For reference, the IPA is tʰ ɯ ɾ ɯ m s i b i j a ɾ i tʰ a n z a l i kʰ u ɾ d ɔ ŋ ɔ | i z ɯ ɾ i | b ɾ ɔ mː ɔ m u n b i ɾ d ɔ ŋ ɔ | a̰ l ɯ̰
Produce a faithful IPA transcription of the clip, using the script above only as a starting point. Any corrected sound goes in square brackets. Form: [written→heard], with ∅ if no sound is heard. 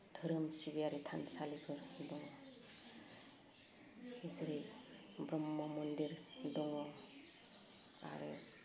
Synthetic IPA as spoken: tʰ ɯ ɾ ɯ m s i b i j a ɾ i tʰ a n [z→s] a l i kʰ [u→ɯ] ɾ d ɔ ŋ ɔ | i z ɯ ɾ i | b ɾ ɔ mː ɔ m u n [b→d] i ɾ d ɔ ŋ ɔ | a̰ [l→ɾ] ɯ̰